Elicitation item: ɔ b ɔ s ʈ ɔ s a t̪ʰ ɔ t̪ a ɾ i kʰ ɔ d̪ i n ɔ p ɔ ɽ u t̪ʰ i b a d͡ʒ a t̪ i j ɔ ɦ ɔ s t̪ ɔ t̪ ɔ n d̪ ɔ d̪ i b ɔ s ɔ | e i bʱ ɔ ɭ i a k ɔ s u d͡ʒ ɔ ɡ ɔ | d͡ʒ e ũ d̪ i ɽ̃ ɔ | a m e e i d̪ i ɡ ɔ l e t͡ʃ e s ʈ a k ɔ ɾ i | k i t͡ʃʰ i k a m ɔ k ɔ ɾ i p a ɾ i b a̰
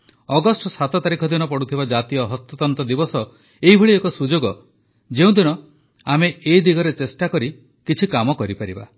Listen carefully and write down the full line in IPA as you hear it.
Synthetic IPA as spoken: ɔ ɡ ɔ s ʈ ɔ s a t̪ ɔ t̪ a ɾ i kʰ ɔ d̪ i n ɔ p ɔ ɽ u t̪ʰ i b a d͡ʒ a t̪ i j ɔ ɦ ɔ s t̪ ɔ t̪ ɔ n t̪ ɔ d̪ i b ɔ s ɔ | e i bʱ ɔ ɭ i e k ɔ s u d͡ʒ o ɡ ɔ | d͡ʒ e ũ d̪ i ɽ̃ ɔ | a m e e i d̪ i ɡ ɔ ɾ e t͡ʃ e s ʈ a k ɔ ɾ i | k i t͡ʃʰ i k a m ɔ k ɔ ɾ i p a ɾ i b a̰

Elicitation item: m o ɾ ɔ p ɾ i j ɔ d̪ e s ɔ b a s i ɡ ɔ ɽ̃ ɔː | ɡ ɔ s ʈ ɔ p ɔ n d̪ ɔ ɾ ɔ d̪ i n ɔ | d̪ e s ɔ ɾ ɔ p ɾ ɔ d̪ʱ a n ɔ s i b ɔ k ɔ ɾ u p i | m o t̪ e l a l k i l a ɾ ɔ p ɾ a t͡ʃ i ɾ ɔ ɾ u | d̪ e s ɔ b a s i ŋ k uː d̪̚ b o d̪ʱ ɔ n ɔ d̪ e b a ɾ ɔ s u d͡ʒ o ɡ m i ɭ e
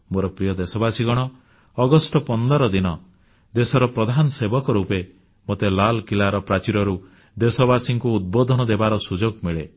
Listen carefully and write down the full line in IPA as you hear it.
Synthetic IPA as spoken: m o ɾ ɔ p ɾ i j ɔ d̪ e s ɔ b a s i ɡ ɔ ɽ̃ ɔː | ɡ ɔ s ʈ ɔ p ɔ n d̪ ɔ ɾ ɔ d̪ i n ɔ | d̪ e s ɔ ɾ ɔ p ɾ ɔ d̪ʱ a n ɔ s e b ɔ k ɔ ɾ u p e | m o t̪ e l a l k i l a ɾ ɔ p ɾ a t͡ʃ i ɾ ɔ ɾ u | d̪ e s ɔ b a s i ŋ k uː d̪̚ b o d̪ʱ ɔ n ɔ d̪ e b a ɾ ɔ s u d͡ʒ o ɡ m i ɭ e

